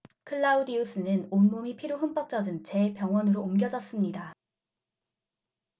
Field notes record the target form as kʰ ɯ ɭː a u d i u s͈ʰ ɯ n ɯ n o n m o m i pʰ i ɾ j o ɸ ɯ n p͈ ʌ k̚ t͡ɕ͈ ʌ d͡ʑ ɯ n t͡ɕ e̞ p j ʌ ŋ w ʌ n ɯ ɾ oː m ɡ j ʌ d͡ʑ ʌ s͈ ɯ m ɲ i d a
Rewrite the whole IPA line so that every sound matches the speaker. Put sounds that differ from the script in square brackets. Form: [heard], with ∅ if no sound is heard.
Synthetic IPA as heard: kʰ ɯ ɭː a u d i u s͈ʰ ɯ n ɯ n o n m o m i pʰ i ɾ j o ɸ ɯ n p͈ ʌ k̚ t͡ɕ͈ ʌ d͡ʑ ɯ n t͡ɕ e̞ p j ʌ ŋ w ʌ n ɯ ɾ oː m ɡ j ʌ d͡ʑ ʌ s͈ ɯ m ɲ i d a

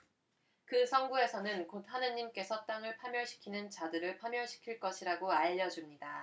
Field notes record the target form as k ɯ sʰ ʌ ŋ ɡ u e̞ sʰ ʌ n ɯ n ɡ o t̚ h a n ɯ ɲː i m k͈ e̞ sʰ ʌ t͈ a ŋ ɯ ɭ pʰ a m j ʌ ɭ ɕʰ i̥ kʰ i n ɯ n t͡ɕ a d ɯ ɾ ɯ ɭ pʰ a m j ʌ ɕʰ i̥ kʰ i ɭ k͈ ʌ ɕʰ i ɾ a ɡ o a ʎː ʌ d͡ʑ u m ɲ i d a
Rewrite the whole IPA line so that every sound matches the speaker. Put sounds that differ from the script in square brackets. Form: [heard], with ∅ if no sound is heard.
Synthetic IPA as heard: k ɯ sʰ ʌ ŋ ɡ u e̞ sʰ ʌ n ɯ n [k] o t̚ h a n ɯ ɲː i m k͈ e̞ sʰ ʌ t͈ a ŋ ɯ ɭ pʰ a m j ʌ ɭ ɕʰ i̥ kʰ i n ɯ n t͡ɕ a d ɯ ɾ ɯ ɭ pʰ a m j ʌ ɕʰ i̥ kʰ i ɭ k͈ ʌ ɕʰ i ɾ a ɡ o a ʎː ʌ d͡ʑ u m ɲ i d a

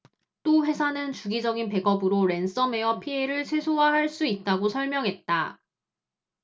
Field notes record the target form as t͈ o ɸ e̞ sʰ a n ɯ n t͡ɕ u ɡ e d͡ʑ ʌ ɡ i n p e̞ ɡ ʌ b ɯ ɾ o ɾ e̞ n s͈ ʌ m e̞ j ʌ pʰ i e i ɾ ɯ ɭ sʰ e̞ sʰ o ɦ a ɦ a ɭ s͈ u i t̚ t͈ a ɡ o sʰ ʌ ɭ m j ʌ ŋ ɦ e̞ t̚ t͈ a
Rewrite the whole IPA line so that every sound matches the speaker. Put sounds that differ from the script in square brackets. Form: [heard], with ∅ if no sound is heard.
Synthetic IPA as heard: t͈ o ɸ e̞ sʰ a n ɯ n t͡ɕ u ɡ [i] d͡ʑ ʌ ɡ i n p e̞ ɡ ʌ b ɯ ɾ o ɾ e̞ n s͈ ʌ m e̞ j ʌ pʰ i e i ɾ ɯ ɭ sʰ e̞ sʰ o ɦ a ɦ a ɭ s͈ u i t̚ t͈ a ɡ o sʰ ʌ ɭ m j ʌ ŋ ɦ e̞ t̚ t͈ a

